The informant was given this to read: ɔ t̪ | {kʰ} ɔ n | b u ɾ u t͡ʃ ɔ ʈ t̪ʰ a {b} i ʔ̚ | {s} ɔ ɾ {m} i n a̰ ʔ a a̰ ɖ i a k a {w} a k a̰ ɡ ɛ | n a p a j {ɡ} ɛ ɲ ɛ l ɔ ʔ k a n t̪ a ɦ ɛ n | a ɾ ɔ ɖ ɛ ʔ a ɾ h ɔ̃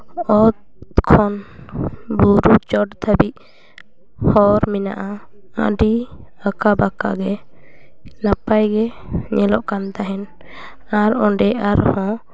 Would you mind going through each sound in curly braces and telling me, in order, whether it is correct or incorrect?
correct, correct, incorrect: h, correct, incorrect: b, correct

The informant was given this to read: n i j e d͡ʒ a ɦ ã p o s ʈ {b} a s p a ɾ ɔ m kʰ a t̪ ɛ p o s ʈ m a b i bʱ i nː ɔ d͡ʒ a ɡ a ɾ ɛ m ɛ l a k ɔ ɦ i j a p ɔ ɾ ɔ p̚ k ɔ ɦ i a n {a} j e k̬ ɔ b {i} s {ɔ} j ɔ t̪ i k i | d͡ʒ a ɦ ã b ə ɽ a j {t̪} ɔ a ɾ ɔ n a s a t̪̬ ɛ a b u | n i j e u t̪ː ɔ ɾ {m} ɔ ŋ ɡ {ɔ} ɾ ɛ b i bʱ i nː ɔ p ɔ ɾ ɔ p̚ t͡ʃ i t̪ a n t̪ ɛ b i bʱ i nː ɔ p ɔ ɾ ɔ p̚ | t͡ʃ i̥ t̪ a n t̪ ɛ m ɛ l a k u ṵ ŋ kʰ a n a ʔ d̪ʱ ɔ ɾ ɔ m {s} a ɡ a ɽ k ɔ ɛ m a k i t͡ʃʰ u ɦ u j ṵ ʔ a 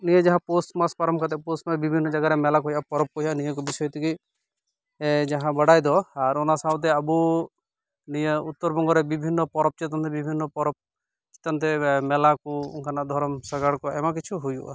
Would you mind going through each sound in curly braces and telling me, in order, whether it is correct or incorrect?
incorrect: m, incorrect: i, correct, correct, incorrect: d̪, incorrect: b, correct, correct

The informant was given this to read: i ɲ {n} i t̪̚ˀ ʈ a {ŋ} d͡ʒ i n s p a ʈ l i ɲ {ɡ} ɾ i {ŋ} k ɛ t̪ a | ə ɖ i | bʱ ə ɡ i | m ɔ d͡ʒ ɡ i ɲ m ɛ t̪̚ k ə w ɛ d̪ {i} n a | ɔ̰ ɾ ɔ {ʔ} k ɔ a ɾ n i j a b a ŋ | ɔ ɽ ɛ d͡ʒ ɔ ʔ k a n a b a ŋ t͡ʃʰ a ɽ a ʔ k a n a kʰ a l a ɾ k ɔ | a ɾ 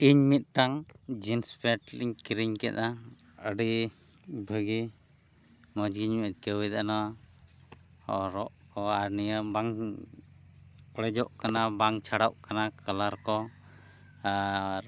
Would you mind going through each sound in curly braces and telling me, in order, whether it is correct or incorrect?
incorrect: m, correct, incorrect: k, incorrect: ɲ, incorrect: a, correct

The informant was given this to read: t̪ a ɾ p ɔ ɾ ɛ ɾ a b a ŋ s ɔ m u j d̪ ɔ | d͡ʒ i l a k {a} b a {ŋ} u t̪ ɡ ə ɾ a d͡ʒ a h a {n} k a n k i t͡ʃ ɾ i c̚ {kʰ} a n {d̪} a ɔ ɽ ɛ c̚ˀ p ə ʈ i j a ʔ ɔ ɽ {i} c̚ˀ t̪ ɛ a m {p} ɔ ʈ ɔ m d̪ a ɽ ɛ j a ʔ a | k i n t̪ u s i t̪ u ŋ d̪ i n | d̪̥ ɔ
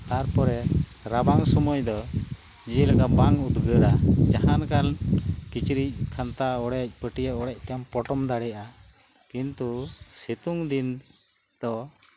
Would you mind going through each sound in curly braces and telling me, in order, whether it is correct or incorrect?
correct, correct, correct, correct, incorrect: t̪, incorrect: ɛ, correct

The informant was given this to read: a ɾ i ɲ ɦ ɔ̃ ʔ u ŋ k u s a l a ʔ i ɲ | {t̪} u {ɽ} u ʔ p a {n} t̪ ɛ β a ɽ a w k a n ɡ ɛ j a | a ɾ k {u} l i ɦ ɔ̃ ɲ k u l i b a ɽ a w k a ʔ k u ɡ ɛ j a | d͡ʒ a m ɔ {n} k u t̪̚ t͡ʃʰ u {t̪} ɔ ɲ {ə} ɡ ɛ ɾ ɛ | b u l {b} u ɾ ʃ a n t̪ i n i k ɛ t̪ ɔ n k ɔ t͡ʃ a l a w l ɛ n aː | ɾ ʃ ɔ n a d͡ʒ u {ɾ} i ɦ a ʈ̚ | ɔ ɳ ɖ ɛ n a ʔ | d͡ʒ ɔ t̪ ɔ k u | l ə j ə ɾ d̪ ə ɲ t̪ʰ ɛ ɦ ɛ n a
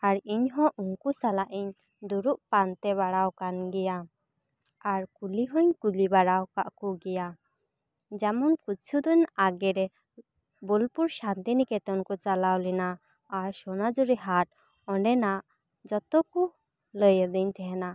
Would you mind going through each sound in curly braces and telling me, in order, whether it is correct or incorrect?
incorrect: d̪, incorrect: ɾ, correct, correct, correct, incorrect: d̪, incorrect: a, incorrect: p, correct

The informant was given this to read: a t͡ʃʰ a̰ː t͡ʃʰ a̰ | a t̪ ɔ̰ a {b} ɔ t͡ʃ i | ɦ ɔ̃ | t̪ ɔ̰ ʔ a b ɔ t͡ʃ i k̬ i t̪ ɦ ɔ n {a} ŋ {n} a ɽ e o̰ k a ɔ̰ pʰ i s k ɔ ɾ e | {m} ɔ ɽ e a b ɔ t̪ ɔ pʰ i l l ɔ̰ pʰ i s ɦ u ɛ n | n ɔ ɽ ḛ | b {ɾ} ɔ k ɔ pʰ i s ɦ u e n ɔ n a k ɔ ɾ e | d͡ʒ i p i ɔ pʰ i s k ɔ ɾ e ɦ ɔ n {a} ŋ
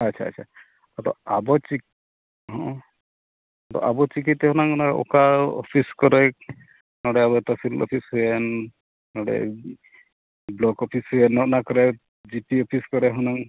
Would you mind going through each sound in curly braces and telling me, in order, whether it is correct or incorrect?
correct, correct, correct, incorrect: n, incorrect: l, correct

